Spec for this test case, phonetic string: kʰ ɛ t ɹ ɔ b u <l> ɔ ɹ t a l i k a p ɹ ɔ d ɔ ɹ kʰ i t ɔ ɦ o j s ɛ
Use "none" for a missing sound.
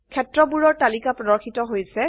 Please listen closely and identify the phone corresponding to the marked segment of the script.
ɹ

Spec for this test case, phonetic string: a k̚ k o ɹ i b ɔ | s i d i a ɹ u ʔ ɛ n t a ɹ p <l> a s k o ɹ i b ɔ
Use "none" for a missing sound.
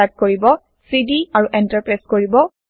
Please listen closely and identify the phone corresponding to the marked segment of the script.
ɹ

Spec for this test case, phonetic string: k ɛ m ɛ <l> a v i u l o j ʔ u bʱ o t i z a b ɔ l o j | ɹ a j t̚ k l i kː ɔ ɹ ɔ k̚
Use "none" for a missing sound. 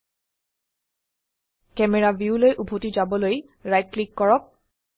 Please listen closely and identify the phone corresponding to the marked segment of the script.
ɹ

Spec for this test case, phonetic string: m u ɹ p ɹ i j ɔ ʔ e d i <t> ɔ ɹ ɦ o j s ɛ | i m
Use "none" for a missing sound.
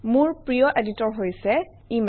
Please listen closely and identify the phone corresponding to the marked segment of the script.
t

